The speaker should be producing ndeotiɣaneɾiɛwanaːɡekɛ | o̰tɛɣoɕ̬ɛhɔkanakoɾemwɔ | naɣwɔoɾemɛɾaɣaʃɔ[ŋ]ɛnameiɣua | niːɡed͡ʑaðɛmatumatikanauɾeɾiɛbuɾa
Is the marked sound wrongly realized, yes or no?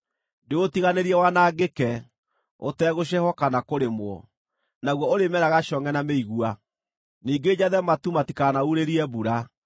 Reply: no